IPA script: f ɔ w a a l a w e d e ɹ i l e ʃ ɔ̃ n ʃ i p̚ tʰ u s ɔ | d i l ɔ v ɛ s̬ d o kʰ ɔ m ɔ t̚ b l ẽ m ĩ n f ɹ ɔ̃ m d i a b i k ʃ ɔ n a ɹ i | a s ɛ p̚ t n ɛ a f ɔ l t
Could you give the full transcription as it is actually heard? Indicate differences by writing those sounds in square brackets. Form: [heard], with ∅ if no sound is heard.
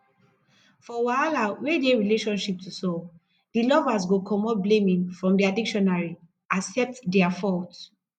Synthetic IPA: f ɔ w a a l a w e d e ɹ i l e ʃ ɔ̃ n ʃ i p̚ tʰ u s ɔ | d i l ɔ v [a] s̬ [ɡ] o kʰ ɔ m ɔ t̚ b l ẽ m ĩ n f ɹ ɔ̃ m d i a [d] i k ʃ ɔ n a ɹ i | a s ɛ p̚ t [d] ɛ a f ɔ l t